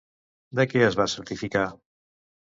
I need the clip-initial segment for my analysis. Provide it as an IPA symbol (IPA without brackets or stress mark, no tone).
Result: d̪